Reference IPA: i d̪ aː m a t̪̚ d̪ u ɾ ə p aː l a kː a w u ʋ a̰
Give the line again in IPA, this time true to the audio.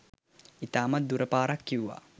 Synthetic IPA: i t̪ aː m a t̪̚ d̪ u ɾ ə p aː ɾ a kː i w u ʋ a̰